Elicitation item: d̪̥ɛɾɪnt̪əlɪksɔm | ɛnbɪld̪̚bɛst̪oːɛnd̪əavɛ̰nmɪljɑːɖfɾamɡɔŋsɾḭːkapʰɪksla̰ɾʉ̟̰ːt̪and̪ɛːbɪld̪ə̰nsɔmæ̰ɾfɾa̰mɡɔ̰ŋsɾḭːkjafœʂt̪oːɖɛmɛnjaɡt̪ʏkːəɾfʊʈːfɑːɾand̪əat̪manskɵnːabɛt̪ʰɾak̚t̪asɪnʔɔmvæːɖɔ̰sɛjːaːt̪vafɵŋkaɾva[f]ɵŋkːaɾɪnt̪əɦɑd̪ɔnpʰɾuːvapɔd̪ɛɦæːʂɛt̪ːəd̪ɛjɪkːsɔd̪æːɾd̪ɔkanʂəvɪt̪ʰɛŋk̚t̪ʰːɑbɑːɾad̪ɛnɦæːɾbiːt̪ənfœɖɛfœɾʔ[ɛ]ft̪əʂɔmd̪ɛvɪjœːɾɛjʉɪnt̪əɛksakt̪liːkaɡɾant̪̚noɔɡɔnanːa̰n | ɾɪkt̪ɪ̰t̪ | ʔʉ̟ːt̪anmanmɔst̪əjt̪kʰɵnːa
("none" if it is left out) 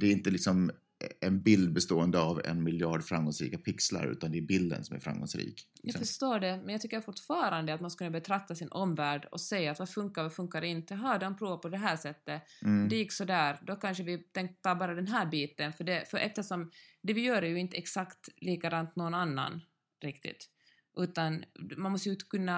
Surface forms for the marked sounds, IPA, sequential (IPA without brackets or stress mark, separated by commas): f, ɛ